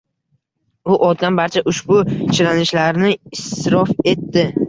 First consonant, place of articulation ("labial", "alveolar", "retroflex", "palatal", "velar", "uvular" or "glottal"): glottal